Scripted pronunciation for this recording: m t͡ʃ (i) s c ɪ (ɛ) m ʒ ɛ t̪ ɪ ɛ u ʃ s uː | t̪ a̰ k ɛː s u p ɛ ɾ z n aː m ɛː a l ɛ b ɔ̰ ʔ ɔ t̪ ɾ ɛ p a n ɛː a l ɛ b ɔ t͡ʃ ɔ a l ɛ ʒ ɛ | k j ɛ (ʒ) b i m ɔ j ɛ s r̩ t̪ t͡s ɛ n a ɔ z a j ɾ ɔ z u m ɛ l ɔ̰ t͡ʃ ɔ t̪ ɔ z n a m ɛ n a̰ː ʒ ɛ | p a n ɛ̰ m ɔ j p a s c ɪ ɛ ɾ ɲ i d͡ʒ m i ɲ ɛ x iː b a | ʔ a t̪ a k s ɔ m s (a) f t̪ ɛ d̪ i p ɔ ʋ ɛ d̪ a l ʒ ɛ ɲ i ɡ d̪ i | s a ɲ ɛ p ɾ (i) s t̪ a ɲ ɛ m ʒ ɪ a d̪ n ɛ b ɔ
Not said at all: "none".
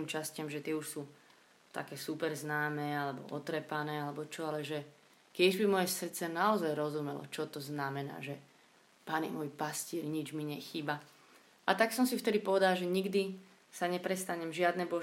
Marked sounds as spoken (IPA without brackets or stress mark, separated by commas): a, a, ʒ, i, ɛ